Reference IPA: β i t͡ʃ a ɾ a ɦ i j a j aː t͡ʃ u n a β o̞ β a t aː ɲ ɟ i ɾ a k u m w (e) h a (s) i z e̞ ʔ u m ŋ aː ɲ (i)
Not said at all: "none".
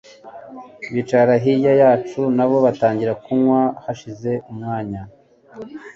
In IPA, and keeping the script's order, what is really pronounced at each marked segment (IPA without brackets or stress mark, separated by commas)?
a, ʃ, a